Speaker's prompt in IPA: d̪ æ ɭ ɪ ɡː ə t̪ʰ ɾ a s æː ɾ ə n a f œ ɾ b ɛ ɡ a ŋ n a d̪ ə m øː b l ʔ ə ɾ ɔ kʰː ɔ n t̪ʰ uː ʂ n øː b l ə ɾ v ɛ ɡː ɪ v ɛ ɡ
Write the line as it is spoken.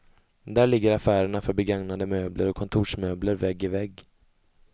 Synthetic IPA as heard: d̪ æ ɭ ɪ ɡː ə ɾ a f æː ɾ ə ɳ a f œ ɾ b ɛ ɡ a ŋ n a d̪ ə m øː b l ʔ ə ɾ ɔ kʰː ɔ n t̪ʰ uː ʂ m øː b l ə ɾ v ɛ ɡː ɪ v ɛ ɡ

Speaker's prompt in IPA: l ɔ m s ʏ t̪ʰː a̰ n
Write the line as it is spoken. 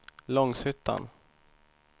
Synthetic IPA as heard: l ɔ ŋ s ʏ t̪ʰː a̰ n

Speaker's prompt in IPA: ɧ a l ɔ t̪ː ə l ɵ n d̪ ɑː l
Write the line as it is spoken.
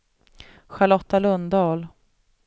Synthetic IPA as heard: ɧ a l ɔ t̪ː a l ɵ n d̪ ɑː l

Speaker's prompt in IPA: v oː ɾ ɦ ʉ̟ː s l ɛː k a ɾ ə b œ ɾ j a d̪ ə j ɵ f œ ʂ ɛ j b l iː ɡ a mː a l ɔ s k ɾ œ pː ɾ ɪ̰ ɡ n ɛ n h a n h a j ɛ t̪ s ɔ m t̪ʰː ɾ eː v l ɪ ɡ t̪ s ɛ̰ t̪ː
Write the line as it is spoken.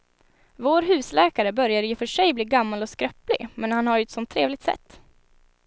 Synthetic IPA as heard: v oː ɾ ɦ ʉ̟ː s l ɛː k a ɾ ə b œ ɾ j a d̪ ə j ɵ f œ ʂ ɛ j b l iː ɡ a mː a l ɔ s k ɾ œ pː l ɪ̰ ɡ m ɛ n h a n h a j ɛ t̪ s ɔ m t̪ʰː ɾ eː v l ɪ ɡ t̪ s ɛ̰ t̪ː

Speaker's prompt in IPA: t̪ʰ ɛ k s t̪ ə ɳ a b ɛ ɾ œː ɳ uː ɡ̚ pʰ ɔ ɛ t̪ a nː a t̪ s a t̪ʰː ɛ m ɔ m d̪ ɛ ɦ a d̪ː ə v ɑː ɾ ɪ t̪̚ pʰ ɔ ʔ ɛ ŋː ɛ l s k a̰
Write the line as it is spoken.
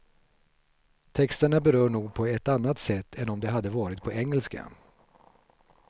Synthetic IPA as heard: t̪ʰ ɛ k s t̪ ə ɳ a b ɛ ɾ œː ɳ uː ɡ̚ pʰ ɔ ɛ t̪ a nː a t̪ s ɛ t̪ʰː ɛ n ɔ m d̪ ɛ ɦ a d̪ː ə v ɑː ɾ ɪ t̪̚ pʰ ɔ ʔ ɛ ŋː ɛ l s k a̰

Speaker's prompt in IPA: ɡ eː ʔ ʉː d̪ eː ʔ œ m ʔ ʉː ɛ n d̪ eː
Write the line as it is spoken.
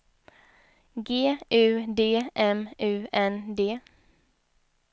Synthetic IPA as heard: ɡ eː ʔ ʉː d̪ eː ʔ ɛ m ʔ ʉː ɛ n d̪ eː

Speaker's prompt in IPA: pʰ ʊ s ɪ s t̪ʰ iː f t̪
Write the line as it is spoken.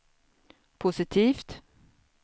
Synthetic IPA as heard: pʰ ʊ s ɪ t̪ʰ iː f t̪

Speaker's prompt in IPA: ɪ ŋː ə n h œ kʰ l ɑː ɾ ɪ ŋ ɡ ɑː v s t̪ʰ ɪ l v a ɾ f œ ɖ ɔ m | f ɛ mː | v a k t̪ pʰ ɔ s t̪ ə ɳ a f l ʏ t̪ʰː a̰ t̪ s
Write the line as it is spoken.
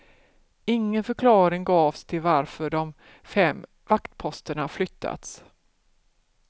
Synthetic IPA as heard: ɪ ŋː ə n f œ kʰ l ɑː ɾ ɪ ŋ ɡ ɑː v s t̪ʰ ɪ l v a ɾ f œ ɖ ɔ m | f ɛ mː | v a k t̪ pʰ ɔ s t̪ ə ɳ a f l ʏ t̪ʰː a̰ t̪ s

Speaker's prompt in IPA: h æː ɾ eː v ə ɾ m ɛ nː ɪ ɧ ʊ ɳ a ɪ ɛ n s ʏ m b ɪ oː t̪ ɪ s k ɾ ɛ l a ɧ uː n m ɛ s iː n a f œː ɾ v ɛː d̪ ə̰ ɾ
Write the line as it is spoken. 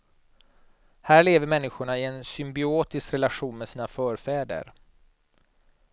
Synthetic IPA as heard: h æː ɭ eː v ə ɾ m ɛ nː ɪ ɧ ʊ ɳ a ɪ ɛ n s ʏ m b ɪ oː t̪ ɪ s k ɾ ɛ l a ɧ uː n m ɛ s iː n a f œː ɾ f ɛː d̪ ə̰ ɾ

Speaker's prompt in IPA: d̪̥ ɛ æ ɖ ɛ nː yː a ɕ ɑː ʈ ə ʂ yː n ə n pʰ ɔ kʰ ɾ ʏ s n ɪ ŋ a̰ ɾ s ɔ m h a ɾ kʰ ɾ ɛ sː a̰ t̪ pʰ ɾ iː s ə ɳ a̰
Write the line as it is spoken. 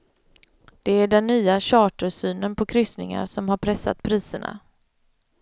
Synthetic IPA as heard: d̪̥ ɛ æ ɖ ɛ nː yː a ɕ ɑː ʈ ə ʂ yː n ə n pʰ ɔ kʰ ɾ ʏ s n ɪ ŋ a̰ ɾ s ɔ m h a ɾ pʰ ɾ ɛ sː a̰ t̪ pʰ ɾ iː s ə ɳ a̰

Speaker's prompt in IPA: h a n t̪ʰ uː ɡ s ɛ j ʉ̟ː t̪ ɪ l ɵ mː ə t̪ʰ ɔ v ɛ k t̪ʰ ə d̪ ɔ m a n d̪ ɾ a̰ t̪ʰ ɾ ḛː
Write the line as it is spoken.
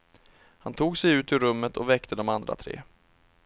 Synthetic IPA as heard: h a n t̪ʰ uː ɡ s ɛ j ʉ̟ː t̪ ɪ ɾ ɵ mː ə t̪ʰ ɔ v ɛ k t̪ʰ ə d̪ ɔ m a n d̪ ɾ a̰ t̪ʰ ɾ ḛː

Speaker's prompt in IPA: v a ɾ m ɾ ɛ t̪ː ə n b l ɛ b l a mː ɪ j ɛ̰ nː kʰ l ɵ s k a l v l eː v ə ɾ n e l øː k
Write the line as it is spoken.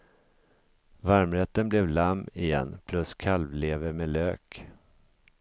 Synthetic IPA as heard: v a ɾ m ɾ ɛ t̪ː ə n b l ɛ v l a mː ɪ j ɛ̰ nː pʰ l ɵ s kʰ a l v l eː v ə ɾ m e l øː k

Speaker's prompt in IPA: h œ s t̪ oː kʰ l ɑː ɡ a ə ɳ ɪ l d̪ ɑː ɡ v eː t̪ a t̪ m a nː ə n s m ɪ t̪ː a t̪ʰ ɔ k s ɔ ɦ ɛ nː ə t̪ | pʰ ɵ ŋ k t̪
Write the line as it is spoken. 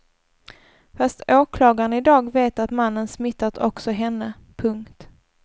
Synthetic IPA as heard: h œ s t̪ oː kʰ l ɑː ɡ a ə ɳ ɪ d̪ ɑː ɡ v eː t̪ a t̪ m a nː ə n s m ɪ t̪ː a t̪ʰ ɔ k s ɔ ɦ ɛ nː ə | pʰ ɵ ŋ k t̪

